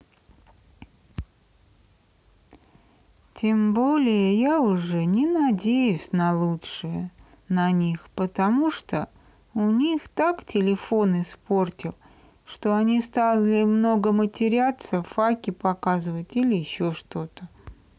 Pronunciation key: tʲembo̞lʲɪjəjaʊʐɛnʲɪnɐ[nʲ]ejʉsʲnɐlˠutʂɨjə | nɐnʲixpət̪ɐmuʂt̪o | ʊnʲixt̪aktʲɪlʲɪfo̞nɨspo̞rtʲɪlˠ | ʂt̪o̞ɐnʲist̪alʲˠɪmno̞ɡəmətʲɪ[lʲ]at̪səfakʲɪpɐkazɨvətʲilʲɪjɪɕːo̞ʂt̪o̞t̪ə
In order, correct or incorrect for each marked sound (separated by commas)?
incorrect, incorrect